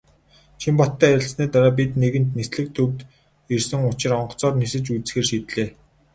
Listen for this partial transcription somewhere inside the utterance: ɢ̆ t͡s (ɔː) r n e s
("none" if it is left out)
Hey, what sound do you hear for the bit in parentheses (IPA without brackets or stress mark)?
ɔː